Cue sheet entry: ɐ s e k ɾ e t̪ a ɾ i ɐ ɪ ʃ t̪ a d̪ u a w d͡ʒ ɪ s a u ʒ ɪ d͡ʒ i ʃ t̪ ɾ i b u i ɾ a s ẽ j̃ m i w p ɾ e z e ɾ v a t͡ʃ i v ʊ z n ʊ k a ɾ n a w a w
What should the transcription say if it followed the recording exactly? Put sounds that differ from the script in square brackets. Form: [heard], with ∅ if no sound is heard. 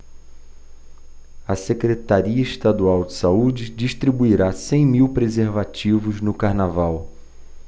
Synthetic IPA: ɐ s e k ɾ e t̪ a ɾ i ɐ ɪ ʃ t̪ a d̪ u a w d͡ʒ ɪ s a u [d͡ʒ] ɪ d͡ʒ i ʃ t̪ ɾ i b u i ɾ a s ẽ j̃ m i w p ɾ e z e ɾ v a t͡ʃ i v ʊ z n ʊ k a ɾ n a [v] a w